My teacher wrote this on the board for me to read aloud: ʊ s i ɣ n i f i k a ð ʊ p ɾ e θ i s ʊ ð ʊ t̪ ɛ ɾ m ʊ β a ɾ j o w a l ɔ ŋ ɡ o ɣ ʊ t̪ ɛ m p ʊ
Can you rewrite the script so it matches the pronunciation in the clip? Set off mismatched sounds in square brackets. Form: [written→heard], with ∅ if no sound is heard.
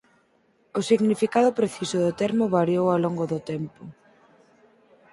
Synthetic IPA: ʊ s i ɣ n i f i k a ð ʊ p ɾ e θ i s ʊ ð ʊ t̪ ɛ ɾ m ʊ β a ɾ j o w a l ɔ ŋ ɡ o [ɣ→ð] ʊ t̪ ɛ m p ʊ